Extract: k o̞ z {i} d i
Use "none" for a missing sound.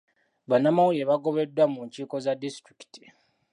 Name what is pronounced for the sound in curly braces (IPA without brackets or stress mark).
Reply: a